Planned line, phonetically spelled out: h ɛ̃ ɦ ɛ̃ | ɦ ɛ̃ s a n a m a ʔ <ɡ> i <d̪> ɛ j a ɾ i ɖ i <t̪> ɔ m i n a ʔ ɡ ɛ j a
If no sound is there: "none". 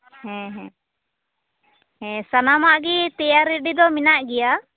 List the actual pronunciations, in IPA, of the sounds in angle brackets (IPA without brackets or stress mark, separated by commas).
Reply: ɡ, t̪, d̪